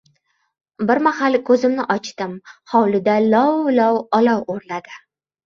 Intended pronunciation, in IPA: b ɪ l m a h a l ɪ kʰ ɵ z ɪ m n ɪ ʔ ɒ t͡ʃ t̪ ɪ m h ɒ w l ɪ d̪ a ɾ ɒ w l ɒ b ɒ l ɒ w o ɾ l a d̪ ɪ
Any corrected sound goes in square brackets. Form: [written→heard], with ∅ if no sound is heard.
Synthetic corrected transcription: b ɪ [l→ɾ] m a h a l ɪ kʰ ɵ z ɪ m n ɪ ʔ ɒ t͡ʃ t̪ ɪ m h ɒ w l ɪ d̪ a [ɾ→l] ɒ w l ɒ [b→w] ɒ l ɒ w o ɾ l a d̪ ɪ